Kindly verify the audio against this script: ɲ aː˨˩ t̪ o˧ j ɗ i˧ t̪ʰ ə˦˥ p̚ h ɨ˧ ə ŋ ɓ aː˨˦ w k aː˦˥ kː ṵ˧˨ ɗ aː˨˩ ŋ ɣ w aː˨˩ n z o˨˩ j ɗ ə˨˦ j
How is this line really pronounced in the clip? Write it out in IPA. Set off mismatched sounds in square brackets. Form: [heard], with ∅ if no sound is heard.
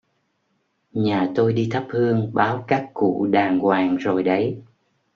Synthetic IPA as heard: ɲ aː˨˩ t̪ o˧ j ɗ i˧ t̪ʰ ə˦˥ p̚ h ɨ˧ ə ŋ ɓ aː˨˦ w k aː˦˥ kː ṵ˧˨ ɗ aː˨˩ ŋ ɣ w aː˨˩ [ŋ] z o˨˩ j ɗ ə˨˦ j